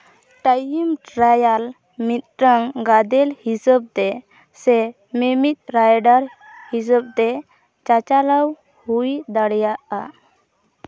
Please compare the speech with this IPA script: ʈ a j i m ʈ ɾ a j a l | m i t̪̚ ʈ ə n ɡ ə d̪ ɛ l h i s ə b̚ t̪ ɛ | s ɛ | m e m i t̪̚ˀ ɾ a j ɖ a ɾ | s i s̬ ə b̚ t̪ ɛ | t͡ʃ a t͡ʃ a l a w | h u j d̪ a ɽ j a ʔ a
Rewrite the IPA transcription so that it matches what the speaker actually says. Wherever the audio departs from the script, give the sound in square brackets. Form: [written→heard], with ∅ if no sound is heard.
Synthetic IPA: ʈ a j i m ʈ ɾ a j a l | m i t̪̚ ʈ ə [n→ŋ] ɡ [ə→a] d̪ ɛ l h i s ə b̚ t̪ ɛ | s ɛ | m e m i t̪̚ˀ ɾ a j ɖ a ɾ | [s→h] i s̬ ə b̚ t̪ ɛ | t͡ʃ a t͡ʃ a l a w | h u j d̪ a ɽ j a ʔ a

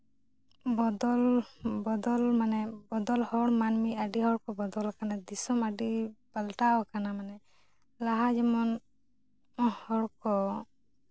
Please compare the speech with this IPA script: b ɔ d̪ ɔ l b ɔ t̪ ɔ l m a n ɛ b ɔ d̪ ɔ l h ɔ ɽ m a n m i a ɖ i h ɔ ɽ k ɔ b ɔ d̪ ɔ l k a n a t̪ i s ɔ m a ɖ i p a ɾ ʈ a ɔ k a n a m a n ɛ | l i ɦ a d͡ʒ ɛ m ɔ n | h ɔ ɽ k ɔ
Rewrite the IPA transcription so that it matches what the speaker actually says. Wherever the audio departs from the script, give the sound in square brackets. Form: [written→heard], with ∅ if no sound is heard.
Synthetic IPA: b ɔ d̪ ɔ l b ɔ [t̪→d̪] ɔ l m a n ɛ b ɔ d̪ ɔ l h ɔ ɽ m a n m i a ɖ i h ɔ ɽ k ɔ b ɔ d̪ ɔ l k a n a [t̪→d̪] i s ɔ m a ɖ i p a [ɾ→l] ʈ a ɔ k a n a m a n ɛ | l [i→a] ɦ a d͡ʒ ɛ m ɔ n | h ɔ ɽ k ɔ

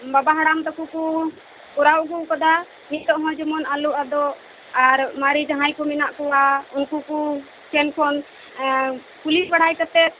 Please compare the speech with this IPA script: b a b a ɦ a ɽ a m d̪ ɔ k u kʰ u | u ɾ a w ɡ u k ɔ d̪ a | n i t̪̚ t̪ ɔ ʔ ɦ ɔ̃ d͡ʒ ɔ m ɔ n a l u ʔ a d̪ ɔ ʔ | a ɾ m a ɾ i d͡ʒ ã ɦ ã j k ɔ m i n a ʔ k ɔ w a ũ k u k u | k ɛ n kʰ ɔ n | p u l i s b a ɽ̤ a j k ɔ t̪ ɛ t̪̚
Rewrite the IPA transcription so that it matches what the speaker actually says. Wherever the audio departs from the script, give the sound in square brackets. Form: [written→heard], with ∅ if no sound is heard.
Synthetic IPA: b a b a ɦ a ɽ a m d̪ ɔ k u [kʰ→k] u | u ɾ a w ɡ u k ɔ d̪ a | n i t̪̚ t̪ ɔ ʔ ɦ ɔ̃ d͡ʒ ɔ m ɔ n a l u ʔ a d̪ ɔ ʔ | a ɾ m a ɾ i d͡ʒ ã ɦ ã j k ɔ m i n a ʔ k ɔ w a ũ k u k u | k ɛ n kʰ ɔ n | p u l i s b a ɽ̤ a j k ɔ t̪ ɛ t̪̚

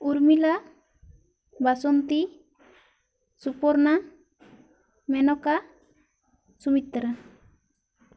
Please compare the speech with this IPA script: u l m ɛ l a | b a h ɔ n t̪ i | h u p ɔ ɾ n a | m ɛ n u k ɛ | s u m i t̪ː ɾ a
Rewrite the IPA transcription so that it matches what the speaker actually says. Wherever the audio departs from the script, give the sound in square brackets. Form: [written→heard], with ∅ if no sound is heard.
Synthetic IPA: u [l→ɾ] m [ɛ→i] l a | b a [h→s] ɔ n t̪ i | [h→s] u p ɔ ɾ n a | m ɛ n [u→ɔ] k [ɛ→a] | s u m i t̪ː ɾ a

